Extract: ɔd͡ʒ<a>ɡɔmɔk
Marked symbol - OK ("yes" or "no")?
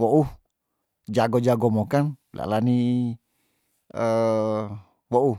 yes